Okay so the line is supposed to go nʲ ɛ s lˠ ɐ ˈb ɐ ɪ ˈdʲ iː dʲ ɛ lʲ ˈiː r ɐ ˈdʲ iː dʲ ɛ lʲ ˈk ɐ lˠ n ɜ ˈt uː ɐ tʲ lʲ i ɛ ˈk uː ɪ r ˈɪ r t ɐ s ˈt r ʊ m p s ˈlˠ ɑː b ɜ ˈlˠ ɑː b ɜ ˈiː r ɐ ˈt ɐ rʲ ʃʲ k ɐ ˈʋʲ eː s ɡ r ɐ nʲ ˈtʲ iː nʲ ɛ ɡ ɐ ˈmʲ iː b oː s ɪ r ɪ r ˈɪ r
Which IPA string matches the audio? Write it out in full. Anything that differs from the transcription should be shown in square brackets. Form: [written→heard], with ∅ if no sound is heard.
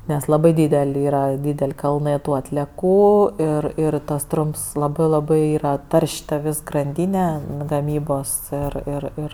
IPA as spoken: nʲ ɛ s lˠ ɐ ˈb ɐ ɪ ˈdʲ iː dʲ ɛ lʲ ˈiː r ɐ ˈdʲ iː dʲ ɛ lʲ ˈk ɐ lˠ n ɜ ˈt uː ɐ tʲ lʲ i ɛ ˈk uː ɪ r ˈɪ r t ɐ s ˈt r ʊ m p s ˈlˠ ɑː b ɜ ˈlˠ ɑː b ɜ ˈiː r ɐ ˈt ɐ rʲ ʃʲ [k→t] ɐ ˈʋʲ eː s ɡ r ɐ nʲ [ˈtʲ→ˈdʲ] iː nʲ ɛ ɡ ɐ ˈmʲ iː b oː s ɪ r ɪ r ˈɪ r